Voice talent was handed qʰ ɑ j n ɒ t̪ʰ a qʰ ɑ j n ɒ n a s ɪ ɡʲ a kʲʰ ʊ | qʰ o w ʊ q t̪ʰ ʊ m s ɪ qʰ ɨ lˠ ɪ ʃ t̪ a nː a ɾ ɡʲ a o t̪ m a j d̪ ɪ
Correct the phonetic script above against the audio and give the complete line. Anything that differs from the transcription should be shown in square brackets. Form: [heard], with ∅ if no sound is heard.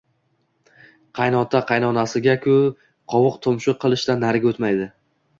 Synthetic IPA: qʰ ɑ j n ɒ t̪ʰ a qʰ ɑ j n ɒ n a s ɪ ɡʲ a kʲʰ ʊ | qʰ [ɒ] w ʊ q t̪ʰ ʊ m [ʃ] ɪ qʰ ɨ lˠ ɪ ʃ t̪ a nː a ɾ ɡʲ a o t̪ m a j d̪ ɪ